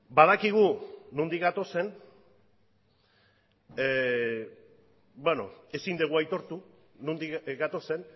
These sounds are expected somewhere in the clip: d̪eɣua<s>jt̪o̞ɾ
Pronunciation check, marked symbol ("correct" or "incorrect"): incorrect